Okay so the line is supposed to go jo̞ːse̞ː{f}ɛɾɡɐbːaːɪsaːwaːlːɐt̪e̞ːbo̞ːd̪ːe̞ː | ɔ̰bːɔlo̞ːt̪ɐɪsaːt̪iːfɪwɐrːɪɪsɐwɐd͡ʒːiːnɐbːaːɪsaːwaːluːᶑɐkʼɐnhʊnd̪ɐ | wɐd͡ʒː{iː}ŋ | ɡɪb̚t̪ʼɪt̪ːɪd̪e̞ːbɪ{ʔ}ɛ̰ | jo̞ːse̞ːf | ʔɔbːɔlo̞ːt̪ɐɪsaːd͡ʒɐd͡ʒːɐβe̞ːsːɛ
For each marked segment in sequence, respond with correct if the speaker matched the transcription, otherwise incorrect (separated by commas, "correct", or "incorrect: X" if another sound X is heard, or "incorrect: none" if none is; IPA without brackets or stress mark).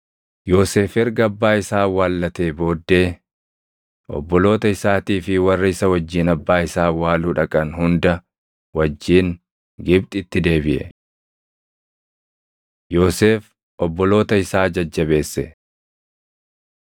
correct, correct, correct